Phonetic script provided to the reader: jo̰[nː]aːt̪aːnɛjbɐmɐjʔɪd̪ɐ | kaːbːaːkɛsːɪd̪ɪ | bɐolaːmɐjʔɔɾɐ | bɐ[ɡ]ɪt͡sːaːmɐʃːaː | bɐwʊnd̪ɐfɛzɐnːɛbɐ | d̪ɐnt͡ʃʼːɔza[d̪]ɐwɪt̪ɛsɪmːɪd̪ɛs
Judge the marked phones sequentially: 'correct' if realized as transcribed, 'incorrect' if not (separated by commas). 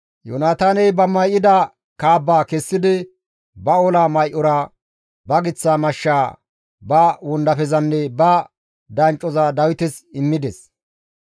incorrect, correct, correct